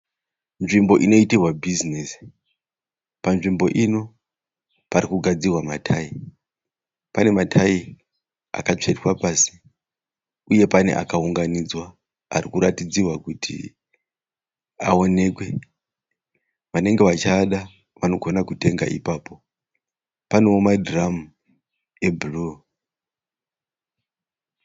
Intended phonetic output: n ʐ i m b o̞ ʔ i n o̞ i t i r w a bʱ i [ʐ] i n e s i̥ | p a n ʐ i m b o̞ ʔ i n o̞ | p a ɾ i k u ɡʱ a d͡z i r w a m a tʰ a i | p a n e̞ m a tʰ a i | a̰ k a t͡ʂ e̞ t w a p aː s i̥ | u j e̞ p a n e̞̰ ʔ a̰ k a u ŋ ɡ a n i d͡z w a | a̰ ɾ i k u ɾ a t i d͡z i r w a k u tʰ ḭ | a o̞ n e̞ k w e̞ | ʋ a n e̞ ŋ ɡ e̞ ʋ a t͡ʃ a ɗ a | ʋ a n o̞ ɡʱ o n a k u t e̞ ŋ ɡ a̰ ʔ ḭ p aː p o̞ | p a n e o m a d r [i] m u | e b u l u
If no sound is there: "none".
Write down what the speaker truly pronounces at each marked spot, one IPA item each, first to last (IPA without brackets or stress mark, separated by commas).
z, a